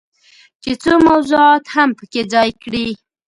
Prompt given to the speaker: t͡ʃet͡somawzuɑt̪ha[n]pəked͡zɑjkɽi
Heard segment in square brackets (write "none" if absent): m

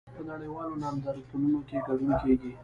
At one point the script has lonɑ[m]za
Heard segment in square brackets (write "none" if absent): m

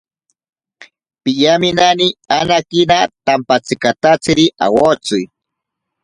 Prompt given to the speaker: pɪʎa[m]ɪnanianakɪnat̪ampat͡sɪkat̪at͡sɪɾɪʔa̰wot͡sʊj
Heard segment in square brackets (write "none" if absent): m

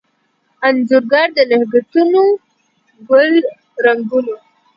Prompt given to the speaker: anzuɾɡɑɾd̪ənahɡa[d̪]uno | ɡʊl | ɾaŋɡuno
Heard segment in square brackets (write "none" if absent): t̪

